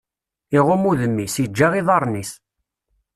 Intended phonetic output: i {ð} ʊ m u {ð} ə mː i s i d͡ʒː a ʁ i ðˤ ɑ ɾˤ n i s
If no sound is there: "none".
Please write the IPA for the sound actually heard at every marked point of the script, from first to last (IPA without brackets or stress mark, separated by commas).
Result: ʁ, ð